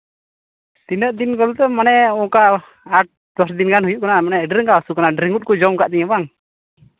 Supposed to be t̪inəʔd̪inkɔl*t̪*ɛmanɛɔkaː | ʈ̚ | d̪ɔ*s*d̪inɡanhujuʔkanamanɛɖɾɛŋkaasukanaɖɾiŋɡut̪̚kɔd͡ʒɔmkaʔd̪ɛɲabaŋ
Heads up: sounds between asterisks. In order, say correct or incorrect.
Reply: correct, correct

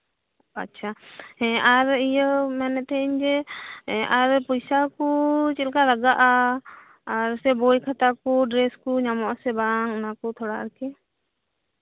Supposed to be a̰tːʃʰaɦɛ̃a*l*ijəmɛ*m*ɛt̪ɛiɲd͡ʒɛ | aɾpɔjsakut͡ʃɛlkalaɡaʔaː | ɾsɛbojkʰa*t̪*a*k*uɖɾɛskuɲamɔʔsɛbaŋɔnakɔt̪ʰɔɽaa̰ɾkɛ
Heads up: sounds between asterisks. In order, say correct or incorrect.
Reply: incorrect, incorrect, correct, correct

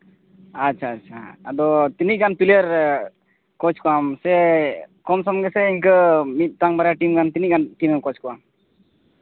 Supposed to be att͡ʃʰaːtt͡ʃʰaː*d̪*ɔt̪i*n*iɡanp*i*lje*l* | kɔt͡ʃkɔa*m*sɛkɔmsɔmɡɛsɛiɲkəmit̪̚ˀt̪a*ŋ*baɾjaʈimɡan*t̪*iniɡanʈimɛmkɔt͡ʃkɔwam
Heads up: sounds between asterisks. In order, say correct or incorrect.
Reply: correct, correct, correct, incorrect, correct, correct, correct

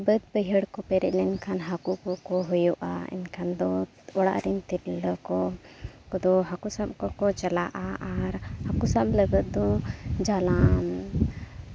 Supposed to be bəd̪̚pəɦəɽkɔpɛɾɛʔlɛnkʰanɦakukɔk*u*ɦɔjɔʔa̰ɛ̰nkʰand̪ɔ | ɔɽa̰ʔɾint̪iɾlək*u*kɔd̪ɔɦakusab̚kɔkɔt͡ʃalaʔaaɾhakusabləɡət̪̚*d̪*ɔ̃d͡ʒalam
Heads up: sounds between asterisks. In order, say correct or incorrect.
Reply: incorrect, incorrect, correct

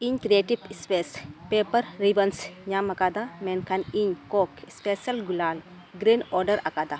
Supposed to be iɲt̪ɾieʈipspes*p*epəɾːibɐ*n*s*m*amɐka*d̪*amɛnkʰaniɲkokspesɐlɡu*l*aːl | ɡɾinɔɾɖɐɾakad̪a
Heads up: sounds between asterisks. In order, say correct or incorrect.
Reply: correct, correct, incorrect, correct, correct

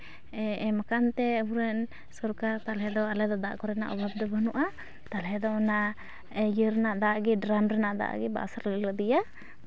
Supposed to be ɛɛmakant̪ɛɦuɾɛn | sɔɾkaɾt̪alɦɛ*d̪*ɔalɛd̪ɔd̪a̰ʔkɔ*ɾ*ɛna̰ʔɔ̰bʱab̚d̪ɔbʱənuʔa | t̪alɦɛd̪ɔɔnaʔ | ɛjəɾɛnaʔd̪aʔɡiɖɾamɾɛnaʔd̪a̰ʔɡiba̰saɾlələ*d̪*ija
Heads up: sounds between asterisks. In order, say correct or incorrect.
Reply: correct, correct, correct

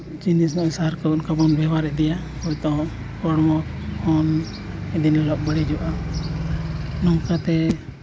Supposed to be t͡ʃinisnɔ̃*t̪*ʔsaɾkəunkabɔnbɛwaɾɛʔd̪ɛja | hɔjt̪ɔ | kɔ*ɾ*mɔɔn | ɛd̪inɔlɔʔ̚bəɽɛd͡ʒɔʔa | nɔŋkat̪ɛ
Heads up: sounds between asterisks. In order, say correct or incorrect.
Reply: incorrect, incorrect

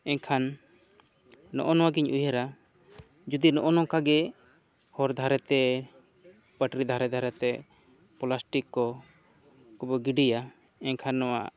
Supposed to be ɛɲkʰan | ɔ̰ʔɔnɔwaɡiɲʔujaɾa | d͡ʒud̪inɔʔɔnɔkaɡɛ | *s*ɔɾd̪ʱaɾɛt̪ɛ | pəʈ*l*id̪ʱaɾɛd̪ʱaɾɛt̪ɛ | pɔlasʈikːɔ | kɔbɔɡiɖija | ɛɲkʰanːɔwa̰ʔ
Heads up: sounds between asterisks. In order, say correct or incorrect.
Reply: incorrect, incorrect

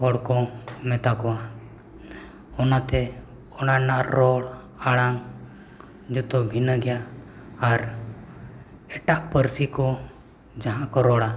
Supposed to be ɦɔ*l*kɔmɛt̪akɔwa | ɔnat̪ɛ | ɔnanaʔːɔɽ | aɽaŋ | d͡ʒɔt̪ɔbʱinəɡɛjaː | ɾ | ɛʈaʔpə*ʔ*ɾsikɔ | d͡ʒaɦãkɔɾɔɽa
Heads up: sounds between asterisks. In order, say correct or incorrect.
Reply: incorrect, incorrect

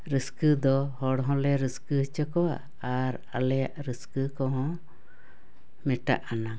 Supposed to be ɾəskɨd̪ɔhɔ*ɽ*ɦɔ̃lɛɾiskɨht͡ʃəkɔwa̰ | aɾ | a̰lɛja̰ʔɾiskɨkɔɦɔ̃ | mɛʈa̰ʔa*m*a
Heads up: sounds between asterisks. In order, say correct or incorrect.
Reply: correct, incorrect

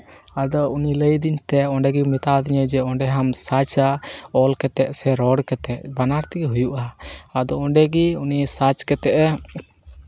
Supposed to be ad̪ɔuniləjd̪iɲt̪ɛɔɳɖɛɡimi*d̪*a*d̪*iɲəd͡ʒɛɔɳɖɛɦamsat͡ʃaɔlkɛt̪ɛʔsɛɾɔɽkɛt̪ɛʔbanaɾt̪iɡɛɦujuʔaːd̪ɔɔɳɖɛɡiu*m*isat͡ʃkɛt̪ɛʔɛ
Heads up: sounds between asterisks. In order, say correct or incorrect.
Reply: incorrect, correct, incorrect

